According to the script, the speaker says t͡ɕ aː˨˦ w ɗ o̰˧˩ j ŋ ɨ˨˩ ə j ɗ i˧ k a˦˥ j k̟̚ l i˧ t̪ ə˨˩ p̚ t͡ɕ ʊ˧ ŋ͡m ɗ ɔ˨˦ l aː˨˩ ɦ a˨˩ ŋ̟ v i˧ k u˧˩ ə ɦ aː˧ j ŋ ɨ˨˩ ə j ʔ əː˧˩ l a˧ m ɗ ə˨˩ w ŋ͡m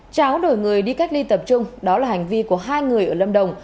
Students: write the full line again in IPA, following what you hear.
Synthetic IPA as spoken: t͡ɕ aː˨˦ w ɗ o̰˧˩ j ŋ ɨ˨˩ ə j ɗ i˧ k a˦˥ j k̟̚ l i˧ t̪ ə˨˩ p̚ t͡ɕ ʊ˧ ŋ͡m ɗ ɔ˨˦ l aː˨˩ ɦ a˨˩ ŋ̟ v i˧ k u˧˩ ə ɦ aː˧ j ŋ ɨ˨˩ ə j ʔ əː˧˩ l ə˧ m ɗ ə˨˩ w ŋ͡m